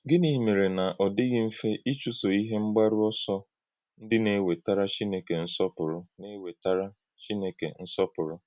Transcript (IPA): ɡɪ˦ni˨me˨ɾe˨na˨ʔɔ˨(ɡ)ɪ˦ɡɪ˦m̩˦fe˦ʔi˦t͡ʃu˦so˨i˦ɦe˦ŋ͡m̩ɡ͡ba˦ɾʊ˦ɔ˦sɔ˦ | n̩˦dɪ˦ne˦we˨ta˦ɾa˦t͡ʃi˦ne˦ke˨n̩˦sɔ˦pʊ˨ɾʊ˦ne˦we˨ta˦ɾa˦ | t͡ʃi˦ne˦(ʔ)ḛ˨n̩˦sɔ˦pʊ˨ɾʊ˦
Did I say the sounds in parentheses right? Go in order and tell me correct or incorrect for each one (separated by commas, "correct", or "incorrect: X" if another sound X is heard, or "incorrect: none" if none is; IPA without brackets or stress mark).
incorrect: d, incorrect: k